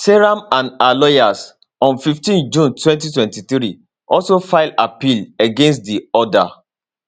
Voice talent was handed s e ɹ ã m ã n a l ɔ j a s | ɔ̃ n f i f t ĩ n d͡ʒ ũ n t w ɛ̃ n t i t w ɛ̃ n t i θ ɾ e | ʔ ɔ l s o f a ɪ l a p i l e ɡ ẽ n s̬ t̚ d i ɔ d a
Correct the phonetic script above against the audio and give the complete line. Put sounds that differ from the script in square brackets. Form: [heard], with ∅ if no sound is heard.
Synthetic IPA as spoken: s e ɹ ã m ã n a l ɔ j a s | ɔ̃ n f i f t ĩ n d͡ʒ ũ n t w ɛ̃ n t i t w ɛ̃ n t i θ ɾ [i] | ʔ ɔ l s o f a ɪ l a p i l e ɡ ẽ n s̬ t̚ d i ɔ d a